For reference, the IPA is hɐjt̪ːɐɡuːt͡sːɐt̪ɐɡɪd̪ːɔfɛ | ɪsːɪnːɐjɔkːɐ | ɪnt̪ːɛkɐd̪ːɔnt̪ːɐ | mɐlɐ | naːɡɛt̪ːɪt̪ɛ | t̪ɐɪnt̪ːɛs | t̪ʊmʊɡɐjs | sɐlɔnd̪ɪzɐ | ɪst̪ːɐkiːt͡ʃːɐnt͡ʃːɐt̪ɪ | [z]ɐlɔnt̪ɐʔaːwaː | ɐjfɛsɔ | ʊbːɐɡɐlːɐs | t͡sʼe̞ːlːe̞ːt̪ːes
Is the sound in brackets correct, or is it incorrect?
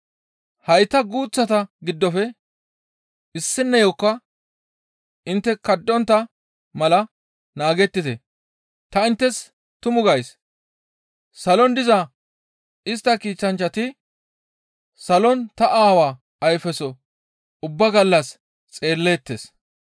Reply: incorrect